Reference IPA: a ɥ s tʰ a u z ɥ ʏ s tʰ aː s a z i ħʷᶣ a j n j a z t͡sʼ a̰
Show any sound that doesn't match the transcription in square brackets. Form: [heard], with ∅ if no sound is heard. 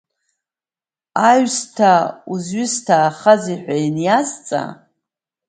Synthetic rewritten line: a ɥ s tʰ a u z ɥ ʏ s tʰ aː [χ] a z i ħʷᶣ a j n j a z t͡sʼ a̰